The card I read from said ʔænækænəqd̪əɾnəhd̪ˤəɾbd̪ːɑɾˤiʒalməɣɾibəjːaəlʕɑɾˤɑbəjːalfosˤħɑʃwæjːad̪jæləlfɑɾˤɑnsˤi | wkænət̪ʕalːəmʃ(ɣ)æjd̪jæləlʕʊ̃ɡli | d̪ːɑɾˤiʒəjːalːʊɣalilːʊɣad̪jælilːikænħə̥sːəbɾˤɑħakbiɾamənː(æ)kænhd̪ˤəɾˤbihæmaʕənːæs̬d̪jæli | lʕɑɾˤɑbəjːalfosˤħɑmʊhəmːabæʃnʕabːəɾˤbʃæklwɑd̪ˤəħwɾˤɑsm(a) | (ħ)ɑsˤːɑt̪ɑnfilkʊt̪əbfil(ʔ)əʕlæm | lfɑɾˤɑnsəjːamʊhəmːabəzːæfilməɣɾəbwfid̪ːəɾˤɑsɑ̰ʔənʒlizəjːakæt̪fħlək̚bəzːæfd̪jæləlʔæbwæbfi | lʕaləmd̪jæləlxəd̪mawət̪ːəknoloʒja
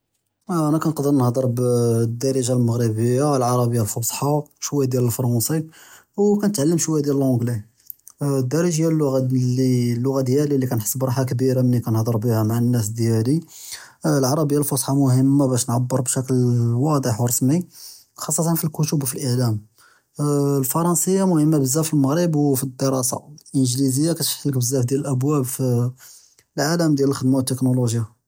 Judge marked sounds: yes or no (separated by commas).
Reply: no, no, no, no, yes